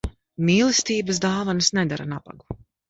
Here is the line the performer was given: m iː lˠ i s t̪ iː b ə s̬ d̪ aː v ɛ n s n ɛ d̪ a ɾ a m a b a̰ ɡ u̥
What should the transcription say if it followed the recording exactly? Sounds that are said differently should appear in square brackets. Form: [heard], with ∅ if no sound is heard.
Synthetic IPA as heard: m iː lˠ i s t̪ iː b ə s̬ d̪ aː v [a] n s n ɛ d̪ a ɾ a [n] a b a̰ ɡ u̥